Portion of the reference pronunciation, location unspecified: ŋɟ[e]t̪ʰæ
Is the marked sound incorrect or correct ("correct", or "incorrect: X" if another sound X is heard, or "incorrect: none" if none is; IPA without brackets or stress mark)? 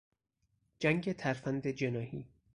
correct